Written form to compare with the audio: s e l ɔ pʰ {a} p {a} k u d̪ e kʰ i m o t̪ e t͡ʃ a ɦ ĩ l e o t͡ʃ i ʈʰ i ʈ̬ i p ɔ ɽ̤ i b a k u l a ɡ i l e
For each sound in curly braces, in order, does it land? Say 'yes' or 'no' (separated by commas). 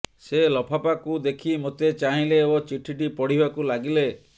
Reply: yes, yes